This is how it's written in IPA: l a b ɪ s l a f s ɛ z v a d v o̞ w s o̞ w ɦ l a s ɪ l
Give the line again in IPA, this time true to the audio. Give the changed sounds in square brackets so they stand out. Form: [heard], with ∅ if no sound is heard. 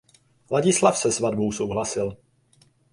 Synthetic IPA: l a [ɟ] ɪ s l a f s ɛ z v a d [b] o̞ w s o̞ w ɦ l a s ɪ l